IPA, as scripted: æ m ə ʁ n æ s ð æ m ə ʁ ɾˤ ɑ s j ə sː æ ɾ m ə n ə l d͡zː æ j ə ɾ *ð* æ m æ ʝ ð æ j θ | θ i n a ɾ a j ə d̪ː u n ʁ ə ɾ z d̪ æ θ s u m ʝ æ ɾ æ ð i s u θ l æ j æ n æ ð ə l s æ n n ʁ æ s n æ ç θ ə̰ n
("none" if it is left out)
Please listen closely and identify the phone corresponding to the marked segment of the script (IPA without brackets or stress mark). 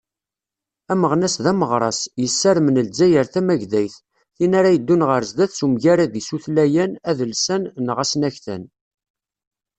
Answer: θ